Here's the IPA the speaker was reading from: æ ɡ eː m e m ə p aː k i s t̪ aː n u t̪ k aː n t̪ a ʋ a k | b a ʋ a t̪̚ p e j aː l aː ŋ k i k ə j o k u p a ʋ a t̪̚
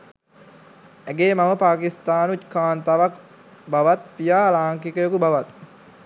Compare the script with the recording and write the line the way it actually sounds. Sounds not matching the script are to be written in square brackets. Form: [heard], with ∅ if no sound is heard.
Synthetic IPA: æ ɡ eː m [a] m ə p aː k i s t̪ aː n u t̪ k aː n t̪ a ʋ a k | b a ʋ a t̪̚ p [i] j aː l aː ŋ k i k ə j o k u [b] a ʋ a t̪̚